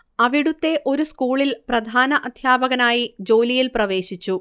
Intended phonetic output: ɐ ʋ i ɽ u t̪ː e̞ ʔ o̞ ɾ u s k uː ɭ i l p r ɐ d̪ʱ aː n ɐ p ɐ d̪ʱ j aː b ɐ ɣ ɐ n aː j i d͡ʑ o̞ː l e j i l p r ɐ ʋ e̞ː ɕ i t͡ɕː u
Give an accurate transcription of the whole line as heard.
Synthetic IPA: ɐ ʋ i ɽ u t̪ː e̞ ʔ o̞ ɾ u s k uː ɭ i l p r ɐ d̪ʱ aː n ɐ ʔ ɐ d̪ʱ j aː b ɐ ɣ ɐ n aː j i d͡ʑ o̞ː l i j i l p r ɐ ʋ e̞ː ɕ i t͡ɕː u